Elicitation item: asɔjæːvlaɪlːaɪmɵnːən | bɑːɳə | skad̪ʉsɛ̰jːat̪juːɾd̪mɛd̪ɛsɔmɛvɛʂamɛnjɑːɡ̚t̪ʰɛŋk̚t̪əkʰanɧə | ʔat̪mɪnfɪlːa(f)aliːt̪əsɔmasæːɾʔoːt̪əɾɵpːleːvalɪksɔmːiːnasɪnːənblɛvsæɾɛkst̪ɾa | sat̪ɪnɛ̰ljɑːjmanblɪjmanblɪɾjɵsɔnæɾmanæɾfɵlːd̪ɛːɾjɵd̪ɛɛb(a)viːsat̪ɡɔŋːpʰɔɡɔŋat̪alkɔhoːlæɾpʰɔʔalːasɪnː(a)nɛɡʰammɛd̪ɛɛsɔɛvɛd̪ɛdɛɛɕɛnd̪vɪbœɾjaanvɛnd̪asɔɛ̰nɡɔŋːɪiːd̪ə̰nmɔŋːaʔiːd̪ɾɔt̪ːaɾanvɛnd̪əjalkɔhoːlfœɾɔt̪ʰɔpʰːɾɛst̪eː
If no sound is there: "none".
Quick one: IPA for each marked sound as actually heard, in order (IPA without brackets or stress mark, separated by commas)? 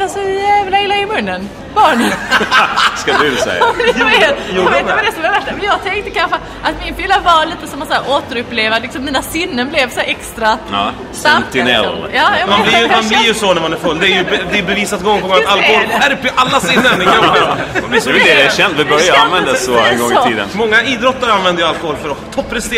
v, ɛ, ə